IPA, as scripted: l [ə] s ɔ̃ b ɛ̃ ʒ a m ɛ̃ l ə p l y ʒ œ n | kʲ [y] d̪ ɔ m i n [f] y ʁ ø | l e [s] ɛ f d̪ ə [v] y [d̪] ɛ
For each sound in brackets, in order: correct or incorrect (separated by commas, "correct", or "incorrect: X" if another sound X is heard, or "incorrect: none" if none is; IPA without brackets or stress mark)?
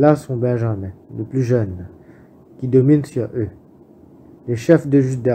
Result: incorrect: a, incorrect: i, incorrect: s, incorrect: ʃ, incorrect: ʒ, correct